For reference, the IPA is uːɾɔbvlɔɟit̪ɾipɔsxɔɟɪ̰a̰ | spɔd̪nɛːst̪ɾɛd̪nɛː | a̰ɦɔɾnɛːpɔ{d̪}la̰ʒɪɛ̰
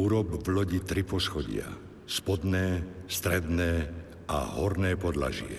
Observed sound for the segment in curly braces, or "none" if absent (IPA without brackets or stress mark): d̪